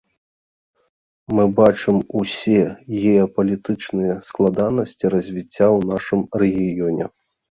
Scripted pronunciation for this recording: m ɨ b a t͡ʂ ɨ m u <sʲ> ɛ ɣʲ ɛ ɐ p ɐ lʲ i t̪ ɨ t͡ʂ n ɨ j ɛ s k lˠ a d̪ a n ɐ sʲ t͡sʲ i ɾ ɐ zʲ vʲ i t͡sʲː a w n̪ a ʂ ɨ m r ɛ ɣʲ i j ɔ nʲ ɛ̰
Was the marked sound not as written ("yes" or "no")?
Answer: no